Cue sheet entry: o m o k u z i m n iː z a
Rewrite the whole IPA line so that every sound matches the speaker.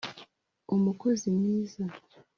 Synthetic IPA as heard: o m u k o z i m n iː z a